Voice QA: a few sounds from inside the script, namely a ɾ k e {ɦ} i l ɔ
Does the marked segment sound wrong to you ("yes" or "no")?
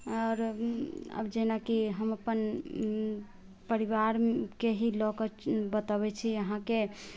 no